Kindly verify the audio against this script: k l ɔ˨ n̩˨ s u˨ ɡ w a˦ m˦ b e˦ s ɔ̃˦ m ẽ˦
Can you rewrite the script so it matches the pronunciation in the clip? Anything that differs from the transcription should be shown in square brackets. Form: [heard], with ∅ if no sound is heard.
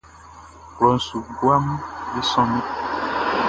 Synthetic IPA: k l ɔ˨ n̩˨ s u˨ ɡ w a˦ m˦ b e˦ s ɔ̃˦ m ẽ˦

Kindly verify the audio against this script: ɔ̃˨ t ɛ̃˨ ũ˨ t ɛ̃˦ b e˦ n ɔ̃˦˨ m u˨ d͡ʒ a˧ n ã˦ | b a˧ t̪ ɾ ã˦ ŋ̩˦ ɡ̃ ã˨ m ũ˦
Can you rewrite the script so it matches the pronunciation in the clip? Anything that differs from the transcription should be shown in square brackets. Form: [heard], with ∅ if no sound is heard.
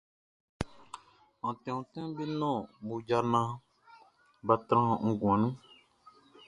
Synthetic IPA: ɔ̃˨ t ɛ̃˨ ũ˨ t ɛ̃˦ b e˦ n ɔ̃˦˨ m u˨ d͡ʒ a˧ n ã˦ | b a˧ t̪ ɾ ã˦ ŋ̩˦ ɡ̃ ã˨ [n] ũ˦

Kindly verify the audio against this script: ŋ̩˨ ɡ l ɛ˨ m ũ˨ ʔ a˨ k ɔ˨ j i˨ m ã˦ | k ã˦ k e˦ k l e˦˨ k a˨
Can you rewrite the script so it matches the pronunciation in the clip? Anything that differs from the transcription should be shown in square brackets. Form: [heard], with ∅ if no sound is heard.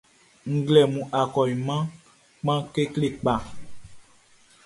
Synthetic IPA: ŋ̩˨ ɡ l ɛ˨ m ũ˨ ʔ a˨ k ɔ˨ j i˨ m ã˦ | [k͡p] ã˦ k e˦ k l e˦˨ [k͡p] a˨

